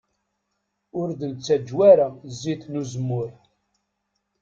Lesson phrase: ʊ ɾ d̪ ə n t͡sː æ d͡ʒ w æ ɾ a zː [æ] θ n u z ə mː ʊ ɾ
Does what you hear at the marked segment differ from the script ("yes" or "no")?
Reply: yes